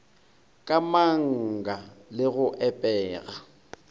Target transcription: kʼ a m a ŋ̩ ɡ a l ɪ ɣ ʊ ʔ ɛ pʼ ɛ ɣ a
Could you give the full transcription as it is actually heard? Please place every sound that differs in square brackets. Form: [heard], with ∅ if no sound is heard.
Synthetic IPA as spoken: kʼ a m a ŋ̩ ɡ a l ɪ ɣ ʊ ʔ ɛ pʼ [ɛː] ɣ a

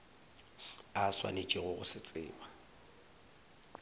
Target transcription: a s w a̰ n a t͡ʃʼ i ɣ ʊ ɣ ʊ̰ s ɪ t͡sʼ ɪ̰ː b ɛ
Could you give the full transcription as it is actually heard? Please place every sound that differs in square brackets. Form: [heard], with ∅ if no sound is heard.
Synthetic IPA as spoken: a s w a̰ n [e] t͡ʃʼ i ɣ ʊ ɣ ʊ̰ s ɪ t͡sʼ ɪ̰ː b [a]

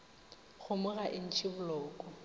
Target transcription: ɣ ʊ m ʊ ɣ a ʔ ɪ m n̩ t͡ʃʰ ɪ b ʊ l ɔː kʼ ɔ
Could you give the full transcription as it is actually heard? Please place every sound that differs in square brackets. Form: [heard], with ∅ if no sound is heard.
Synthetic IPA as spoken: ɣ ʊ m ʊ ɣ a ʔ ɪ [∅] n̩ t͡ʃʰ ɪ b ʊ l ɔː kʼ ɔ

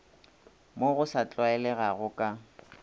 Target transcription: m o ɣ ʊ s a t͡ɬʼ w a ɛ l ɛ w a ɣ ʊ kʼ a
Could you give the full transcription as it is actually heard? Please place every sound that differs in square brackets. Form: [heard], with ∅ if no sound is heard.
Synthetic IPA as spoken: m o ɣ ʊ s a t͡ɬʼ w a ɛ l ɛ [ɣ] a ɣ ʊ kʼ a

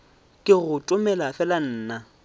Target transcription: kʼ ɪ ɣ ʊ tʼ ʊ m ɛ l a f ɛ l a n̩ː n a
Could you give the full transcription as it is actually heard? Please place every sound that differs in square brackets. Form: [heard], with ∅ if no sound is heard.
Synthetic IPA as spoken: kʼ ɪ ɣ ʊ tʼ ʊ m ɛ l a f ɛ l a n̩ː n a

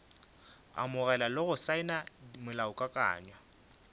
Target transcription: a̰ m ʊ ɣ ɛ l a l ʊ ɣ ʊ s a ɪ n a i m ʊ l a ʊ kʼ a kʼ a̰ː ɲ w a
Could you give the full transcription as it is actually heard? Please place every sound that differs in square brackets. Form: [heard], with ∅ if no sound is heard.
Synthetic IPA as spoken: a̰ m ʊ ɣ ɛ l a l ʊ ɣ ʊ s a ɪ n a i m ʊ l a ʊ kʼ a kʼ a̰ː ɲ w a

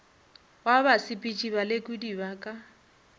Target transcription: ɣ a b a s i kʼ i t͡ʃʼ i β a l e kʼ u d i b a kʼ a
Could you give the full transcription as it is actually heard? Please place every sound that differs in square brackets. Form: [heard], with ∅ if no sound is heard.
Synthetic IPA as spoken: [w] a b a s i [pʼ] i t͡ʃʼ i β a l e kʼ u d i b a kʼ a

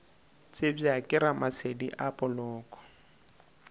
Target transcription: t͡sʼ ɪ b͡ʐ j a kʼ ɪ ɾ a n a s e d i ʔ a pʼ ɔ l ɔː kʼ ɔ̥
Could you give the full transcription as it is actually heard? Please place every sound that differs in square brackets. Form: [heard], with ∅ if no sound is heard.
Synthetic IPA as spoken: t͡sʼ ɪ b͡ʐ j a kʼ ɪ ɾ a [m] a s e d i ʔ a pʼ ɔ l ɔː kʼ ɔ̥

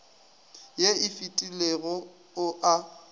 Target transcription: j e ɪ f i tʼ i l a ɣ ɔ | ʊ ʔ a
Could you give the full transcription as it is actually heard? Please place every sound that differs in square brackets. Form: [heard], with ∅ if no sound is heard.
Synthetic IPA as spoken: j e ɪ f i tʼ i l [e] ɣ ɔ | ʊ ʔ a

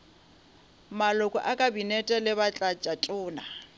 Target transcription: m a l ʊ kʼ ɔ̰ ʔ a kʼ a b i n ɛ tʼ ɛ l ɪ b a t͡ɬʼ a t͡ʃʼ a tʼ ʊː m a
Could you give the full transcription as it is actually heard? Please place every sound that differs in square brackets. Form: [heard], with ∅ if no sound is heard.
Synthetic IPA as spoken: m a l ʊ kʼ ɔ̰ ʔ a kʼ a b i n ɛ tʼ ɛ l ɪ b a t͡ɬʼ a t͡ʃʼ a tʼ ʊː [n] a

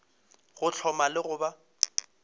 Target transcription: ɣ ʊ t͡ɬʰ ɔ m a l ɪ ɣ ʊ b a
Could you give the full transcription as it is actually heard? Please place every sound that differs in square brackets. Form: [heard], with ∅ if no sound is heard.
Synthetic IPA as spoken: ɣ ʊ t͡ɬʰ ɔ m a l ɪ ɣ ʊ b a

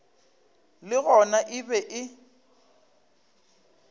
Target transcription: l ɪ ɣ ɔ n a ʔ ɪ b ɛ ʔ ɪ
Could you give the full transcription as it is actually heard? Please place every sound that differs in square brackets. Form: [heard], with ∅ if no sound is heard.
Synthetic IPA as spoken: l ɪ ɣ ɔ n a ʔ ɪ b ɛ ʔ ɪ

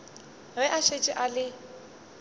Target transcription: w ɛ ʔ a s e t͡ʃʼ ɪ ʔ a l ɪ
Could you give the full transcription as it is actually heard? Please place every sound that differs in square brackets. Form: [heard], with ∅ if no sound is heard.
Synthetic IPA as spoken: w ɛ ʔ a [ʃ] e t͡ʃʼ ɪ ʔ a l ɪ

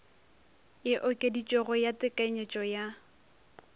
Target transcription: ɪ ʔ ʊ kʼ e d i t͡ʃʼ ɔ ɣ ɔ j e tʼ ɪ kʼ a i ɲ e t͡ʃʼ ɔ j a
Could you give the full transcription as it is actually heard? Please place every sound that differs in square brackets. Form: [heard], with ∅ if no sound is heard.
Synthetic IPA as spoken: ɪ ʔ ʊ kʼ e d i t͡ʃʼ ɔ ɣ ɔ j [a] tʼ ɪ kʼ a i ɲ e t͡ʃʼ ɔ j a

